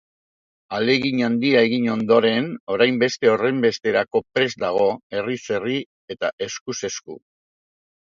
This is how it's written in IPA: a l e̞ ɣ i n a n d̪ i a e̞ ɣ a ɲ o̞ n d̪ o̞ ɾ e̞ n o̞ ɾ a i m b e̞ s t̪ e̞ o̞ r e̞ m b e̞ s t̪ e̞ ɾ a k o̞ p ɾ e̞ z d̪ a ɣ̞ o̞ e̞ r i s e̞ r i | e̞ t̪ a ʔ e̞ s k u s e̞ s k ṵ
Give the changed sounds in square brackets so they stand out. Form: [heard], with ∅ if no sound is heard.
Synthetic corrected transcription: a l e̞ ɣ i [ɲ] a n d̪ i a e̞ ɣ [i] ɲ o̞ n d̪ o̞ ɾ e̞ n o̞ ɾ a [j] m b e̞ s t̪ e̞ o̞ r e̞ m b e̞ s t̪ e̞ ɾ a k o̞ p ɾ e̞ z d̪ a ɣ̞ o̞ e̞ r i s e̞ r i | e̞ t̪ a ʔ e̞ s k u s e̞ s k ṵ